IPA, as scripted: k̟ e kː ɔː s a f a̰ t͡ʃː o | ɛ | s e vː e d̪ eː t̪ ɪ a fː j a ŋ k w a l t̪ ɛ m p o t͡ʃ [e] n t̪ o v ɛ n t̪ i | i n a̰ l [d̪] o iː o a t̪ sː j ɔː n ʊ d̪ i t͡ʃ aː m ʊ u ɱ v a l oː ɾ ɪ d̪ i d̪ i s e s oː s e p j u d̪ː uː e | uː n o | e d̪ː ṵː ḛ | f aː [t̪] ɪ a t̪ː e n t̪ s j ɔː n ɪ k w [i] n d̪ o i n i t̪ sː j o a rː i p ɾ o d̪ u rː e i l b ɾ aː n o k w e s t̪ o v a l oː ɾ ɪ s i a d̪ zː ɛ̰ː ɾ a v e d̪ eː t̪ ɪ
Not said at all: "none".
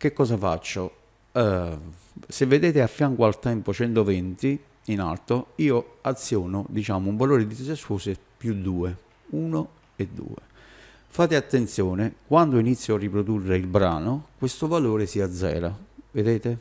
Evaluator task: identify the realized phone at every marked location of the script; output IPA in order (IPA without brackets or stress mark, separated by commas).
ɛ, t̪, t̪, a